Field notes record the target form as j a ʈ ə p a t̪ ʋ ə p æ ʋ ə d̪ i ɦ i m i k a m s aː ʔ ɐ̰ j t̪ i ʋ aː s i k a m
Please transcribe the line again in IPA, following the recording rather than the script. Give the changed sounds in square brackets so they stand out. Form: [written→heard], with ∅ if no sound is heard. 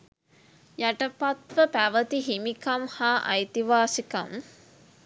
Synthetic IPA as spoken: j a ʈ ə p a t̪ ʋ ə p æ ʋ ə [d̪→t̪] i ɦ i m i k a m [s→h] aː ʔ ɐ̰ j t̪ i ʋ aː s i k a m